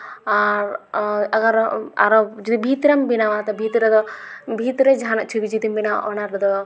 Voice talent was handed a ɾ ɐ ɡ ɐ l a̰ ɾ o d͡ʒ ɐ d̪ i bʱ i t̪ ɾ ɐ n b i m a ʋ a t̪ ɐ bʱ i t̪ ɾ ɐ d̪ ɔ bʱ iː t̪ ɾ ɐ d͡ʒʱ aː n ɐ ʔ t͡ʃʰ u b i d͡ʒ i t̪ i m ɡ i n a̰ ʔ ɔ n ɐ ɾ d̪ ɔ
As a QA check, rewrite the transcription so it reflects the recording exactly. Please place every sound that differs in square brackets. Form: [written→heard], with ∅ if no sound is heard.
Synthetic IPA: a ɾ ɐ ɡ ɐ [l→ɾ] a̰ ɾ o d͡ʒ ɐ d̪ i bʱ i t̪ ɾ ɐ [n→m] b i [m→n] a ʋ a t̪ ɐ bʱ i t̪ ɾ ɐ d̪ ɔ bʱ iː t̪ ɾ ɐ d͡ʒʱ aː n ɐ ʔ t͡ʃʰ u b i d͡ʒ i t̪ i m [ɡ→b] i n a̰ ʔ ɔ n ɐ ɾ d̪ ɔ